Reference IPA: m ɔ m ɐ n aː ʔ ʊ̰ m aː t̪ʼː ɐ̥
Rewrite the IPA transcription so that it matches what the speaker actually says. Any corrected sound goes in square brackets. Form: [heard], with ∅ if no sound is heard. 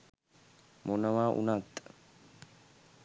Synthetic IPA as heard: m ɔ [n] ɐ [m] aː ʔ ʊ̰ [n] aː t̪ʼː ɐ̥